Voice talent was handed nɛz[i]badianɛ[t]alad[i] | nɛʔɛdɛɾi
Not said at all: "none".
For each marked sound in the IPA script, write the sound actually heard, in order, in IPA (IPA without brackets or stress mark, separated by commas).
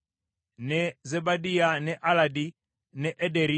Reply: ɛ, ʔ, i